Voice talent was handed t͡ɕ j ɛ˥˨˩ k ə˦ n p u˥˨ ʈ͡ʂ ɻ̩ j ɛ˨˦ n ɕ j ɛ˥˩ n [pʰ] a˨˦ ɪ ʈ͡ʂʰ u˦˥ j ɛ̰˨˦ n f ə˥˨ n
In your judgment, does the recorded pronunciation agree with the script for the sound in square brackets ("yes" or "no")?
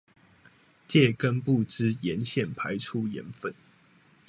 yes